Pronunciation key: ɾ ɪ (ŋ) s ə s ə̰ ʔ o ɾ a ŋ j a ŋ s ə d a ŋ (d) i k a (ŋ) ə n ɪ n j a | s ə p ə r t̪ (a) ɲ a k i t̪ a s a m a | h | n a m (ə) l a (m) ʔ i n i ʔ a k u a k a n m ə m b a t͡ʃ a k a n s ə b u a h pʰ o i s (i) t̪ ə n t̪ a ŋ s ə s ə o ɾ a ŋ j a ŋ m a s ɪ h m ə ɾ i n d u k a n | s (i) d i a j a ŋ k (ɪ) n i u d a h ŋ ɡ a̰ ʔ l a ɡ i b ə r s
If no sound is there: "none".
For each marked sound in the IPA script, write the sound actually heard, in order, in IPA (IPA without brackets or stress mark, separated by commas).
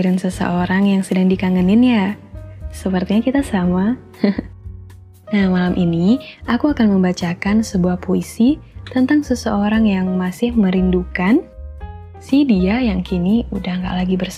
n, d, ŋ, i, a, m, i, i, i